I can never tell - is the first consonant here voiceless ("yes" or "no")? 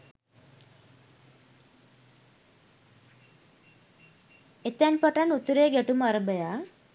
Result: yes